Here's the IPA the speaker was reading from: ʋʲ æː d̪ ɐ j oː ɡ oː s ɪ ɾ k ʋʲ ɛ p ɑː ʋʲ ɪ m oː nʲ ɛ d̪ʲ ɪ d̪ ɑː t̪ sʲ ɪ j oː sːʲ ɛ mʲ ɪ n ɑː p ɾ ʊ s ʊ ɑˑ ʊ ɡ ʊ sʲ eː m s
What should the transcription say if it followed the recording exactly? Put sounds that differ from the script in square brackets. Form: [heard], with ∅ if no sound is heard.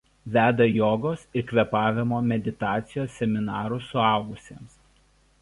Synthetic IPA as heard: ʋʲ æː d̪ ɐ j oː ɡ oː s ɪ ɾ k ʋʲ ɛ p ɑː ʋʲ ɪ m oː [mʲ] ɛ d̪ʲ ɪ [t̪] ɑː t̪ sʲ ɪ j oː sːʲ ɛ mʲ ɪ n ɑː [∅] ɾ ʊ s ʊ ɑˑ ʊ ɡ ʊ sʲ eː m s

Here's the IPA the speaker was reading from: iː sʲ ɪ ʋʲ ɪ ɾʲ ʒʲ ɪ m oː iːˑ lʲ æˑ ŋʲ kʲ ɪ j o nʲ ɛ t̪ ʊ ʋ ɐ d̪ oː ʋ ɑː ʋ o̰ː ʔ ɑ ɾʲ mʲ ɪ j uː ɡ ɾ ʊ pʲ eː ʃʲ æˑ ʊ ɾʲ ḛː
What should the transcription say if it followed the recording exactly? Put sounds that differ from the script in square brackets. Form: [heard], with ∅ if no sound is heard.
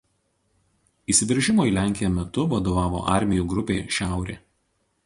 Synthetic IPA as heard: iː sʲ ɪ ʋʲ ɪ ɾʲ ʒʲ ɪ m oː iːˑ lʲ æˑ ŋʲ kʲ ɪ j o [mʲ] ɛ t̪ ʊ ʋ ɐ d̪ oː ʋ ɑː ʋ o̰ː ʔ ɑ ɾʲ mʲ ɪ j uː ɡ ɾ ʊ pʲ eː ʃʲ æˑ ʊ ɾʲ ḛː

